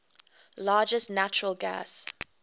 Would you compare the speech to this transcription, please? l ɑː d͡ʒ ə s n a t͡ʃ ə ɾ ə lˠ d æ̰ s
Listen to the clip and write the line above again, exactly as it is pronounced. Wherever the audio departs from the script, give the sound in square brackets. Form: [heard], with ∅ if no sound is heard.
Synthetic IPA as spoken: l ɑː d͡ʒ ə s n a t͡ʃ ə [ɹ] ə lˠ [ɡ] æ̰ s